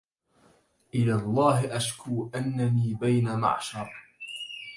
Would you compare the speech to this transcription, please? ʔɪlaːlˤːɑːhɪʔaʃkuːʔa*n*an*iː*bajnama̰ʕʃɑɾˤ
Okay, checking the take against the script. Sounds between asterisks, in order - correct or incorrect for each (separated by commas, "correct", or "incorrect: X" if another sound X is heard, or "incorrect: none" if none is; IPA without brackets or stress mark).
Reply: incorrect: nː, correct